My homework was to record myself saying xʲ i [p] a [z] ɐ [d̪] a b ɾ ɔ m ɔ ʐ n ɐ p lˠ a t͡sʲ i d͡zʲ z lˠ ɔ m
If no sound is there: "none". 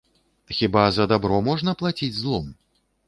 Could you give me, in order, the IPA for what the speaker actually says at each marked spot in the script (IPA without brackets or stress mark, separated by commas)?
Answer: b, z, d̪